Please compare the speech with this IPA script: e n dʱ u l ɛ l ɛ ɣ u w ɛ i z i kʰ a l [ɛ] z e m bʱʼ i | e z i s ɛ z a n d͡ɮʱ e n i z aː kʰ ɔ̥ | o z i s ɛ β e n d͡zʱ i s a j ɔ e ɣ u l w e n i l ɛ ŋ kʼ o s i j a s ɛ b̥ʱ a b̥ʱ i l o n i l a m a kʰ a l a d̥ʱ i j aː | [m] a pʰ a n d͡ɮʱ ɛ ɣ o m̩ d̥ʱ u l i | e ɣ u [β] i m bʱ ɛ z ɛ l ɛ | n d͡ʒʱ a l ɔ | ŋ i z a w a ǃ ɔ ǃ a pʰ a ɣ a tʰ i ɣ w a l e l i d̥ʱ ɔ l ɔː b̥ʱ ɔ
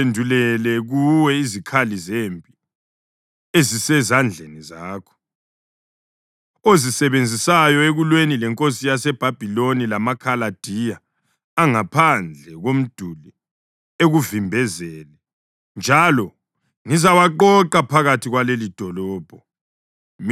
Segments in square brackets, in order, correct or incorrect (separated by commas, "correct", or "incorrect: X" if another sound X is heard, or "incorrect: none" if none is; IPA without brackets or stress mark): incorrect: i, incorrect: ŋ, incorrect: v